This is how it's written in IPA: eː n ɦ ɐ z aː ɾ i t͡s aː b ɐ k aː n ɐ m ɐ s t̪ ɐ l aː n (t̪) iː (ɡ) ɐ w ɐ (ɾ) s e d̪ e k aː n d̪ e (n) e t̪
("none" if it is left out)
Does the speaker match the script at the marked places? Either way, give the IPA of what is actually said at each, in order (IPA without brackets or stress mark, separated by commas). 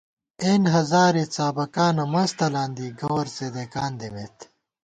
d̪, ɡ, ɾ, m